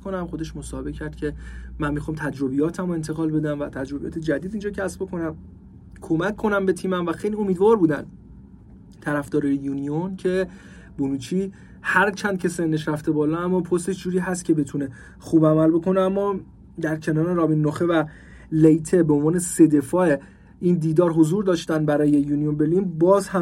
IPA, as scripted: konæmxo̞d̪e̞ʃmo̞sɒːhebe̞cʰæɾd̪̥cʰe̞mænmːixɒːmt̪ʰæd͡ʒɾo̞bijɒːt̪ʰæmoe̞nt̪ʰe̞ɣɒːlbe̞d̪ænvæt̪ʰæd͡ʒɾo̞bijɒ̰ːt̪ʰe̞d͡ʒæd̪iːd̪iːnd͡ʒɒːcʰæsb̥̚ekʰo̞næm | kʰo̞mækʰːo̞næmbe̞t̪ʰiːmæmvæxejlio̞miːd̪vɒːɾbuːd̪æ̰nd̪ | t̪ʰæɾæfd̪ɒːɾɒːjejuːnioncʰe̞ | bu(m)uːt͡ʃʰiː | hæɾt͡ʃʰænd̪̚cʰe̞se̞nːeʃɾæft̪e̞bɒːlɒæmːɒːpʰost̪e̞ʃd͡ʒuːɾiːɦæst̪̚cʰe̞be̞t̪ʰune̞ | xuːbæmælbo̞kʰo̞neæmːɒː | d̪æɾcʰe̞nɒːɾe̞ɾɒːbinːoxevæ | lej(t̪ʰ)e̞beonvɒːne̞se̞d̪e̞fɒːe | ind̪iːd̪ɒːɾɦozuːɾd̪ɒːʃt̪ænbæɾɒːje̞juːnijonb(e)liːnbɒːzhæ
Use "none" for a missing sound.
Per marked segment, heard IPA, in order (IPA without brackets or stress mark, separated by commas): n, t̪ʰ, e